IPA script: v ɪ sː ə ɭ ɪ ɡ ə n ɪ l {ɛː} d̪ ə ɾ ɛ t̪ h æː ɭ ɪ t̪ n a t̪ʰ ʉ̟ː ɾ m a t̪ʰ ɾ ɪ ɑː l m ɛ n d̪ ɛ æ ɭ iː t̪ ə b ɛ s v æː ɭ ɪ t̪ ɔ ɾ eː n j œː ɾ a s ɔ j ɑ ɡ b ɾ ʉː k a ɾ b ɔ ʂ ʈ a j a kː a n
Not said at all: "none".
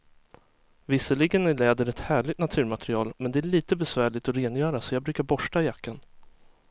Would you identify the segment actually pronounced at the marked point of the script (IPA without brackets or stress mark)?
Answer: ɛː